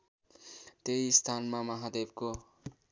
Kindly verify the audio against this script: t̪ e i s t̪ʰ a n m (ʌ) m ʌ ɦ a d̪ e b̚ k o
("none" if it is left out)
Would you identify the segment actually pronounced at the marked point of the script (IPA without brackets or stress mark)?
a